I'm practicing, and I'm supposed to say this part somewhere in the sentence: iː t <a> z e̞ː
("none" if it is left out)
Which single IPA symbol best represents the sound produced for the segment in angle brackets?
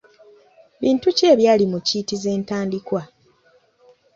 i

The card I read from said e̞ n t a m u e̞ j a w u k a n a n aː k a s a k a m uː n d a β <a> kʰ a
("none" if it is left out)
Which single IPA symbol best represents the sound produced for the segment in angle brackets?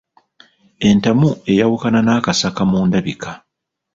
i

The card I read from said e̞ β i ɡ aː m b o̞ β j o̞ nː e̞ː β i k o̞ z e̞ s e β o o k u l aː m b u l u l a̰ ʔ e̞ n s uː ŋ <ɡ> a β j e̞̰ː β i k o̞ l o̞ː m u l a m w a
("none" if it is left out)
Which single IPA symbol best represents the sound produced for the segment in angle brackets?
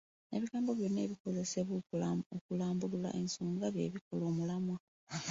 ɡ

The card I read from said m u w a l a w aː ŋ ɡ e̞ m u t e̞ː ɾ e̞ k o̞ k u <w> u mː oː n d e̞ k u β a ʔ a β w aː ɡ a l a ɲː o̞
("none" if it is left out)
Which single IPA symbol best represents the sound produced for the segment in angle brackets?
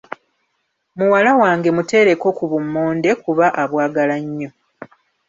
β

